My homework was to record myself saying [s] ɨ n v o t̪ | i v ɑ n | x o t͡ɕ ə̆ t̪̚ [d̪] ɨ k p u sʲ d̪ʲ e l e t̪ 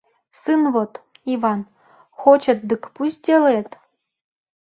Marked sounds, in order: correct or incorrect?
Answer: correct, correct

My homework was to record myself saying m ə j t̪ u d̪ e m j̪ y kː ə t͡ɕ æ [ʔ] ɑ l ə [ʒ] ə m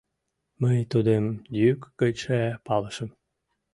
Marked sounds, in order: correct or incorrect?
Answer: incorrect: p, incorrect: ʃ

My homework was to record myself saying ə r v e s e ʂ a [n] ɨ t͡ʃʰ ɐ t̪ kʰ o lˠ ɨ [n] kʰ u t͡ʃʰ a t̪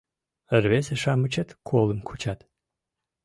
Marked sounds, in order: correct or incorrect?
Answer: incorrect: m, incorrect: m

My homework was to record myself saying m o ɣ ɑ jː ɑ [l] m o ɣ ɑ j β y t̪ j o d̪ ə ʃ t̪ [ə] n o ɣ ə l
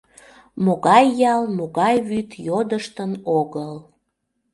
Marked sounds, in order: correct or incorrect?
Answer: correct, correct

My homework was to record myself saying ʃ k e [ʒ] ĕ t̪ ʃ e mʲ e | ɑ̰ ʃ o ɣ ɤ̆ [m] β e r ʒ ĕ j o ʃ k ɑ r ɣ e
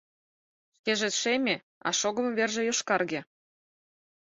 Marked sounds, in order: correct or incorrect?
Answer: correct, correct

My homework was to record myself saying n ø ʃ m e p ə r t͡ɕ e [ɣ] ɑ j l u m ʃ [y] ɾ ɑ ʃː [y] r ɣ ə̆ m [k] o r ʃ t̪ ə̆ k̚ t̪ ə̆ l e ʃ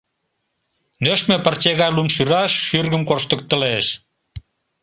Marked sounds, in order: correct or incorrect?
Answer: correct, correct, correct, correct

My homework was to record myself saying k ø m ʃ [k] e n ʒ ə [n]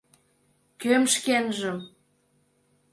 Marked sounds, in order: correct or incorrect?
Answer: correct, incorrect: m

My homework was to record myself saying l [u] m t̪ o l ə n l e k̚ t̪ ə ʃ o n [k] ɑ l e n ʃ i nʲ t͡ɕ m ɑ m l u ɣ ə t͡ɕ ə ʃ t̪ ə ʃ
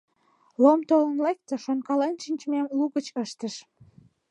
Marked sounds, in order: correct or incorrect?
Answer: incorrect: o, correct

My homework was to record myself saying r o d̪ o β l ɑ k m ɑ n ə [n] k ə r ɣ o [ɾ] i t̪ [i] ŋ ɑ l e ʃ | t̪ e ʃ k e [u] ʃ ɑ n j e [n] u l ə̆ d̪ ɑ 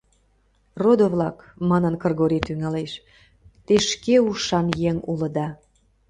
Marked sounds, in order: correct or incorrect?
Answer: correct, correct, incorrect: y, correct, incorrect: ŋ

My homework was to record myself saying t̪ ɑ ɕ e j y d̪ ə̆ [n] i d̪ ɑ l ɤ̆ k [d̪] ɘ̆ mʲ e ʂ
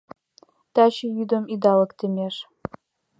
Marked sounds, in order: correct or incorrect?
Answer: incorrect: m, incorrect: t̪

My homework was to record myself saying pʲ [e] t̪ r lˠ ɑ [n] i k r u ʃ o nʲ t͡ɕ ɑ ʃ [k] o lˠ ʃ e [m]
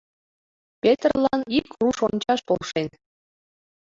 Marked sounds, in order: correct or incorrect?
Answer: correct, correct, incorrect: p, incorrect: n

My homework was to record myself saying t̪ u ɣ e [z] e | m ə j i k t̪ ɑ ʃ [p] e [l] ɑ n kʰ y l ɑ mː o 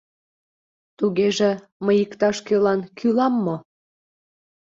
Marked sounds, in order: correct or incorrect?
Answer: incorrect: ʒ, incorrect: k, correct

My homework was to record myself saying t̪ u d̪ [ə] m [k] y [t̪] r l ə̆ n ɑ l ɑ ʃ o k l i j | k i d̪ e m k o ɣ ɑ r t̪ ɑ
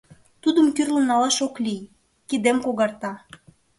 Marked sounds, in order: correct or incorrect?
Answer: correct, correct, incorrect: none

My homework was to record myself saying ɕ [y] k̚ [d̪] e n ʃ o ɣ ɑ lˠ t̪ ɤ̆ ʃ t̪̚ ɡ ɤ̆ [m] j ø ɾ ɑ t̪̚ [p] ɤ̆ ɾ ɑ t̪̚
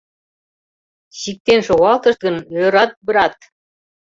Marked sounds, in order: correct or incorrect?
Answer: incorrect: i, incorrect: t̪, incorrect: n, incorrect: b

